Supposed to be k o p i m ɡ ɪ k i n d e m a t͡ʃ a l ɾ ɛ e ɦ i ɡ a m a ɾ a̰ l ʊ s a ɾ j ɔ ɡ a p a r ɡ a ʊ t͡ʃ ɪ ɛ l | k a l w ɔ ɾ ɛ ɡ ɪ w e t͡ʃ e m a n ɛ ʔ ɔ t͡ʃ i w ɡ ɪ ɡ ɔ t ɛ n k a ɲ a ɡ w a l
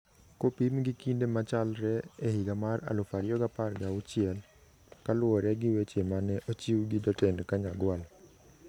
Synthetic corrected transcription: k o p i m ɡ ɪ k i n d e m a t͡ʃ a l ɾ ɛ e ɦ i ɡ a m a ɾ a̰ l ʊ f a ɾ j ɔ ɡ a p a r ɡ a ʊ t͡ʃ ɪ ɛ l | k a l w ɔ ɾ ɛ ɡ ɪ w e t͡ʃ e m a n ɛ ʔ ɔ t͡ʃ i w ɡ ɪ d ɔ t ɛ n k a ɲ a ɡ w a l

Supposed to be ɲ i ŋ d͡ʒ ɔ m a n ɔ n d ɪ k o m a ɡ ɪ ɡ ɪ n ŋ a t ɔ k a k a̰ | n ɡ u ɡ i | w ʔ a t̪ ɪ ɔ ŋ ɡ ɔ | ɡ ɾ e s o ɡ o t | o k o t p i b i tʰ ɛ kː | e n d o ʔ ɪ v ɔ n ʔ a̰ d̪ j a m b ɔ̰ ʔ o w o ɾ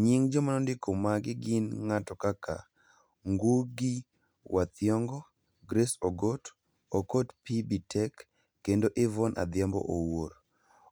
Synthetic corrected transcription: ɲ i ŋ d͡ʒ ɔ m a n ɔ n d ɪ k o m a ɡ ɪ ɡ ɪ n ŋ a t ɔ k a k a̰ | ŋ ɡ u ɡ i | w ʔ a t̪ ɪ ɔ ŋ ɡ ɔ | ɡ ɾ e s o ɡ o t | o k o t p i b i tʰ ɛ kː | e n d o ʔ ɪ v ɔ n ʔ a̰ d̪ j a m b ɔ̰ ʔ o w o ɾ

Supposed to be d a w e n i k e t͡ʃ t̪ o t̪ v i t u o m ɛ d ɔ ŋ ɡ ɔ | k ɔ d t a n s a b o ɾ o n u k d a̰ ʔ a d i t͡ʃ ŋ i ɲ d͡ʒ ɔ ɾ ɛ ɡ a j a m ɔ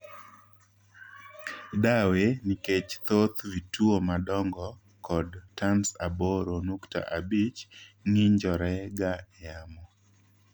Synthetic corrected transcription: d a w e n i k e t͡ʃ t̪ o t̪ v i t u o m a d ɔ ŋ ɡ ɔ | k ɔ d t a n s a b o ɾ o n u k t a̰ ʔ a b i t͡ʃ ŋ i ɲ d͡ʒ ɔ ɾ ɛ ɡ a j a m ɔ

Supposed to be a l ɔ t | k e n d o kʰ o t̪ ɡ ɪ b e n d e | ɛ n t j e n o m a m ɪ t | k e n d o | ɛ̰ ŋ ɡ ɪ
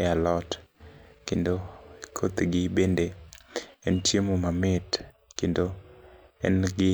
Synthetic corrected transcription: a l ɔ t | k e n d o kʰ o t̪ ɡ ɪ b e n d e | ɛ n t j e m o m a m ɪ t | k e n d o | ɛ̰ n ɡ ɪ

